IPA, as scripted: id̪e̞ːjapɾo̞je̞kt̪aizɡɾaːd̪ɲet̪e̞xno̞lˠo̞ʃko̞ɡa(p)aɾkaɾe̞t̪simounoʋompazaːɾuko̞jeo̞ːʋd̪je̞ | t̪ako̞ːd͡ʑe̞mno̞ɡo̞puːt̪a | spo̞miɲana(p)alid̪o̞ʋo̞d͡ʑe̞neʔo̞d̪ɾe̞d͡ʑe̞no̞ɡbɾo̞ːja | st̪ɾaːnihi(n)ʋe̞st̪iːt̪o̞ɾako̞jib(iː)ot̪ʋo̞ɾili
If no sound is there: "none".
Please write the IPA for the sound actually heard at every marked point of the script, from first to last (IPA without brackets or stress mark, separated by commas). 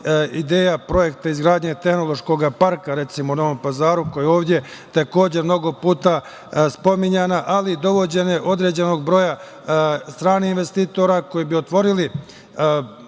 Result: p, ʔ, n, i